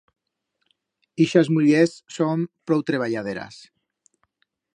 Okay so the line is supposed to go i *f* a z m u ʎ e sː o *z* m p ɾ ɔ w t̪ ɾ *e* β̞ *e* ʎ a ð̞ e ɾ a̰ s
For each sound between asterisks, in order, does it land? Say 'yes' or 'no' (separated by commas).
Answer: no, no, yes, no